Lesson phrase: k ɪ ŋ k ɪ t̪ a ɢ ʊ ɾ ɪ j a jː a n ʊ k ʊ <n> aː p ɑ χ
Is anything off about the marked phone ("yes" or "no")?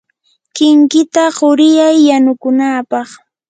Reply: no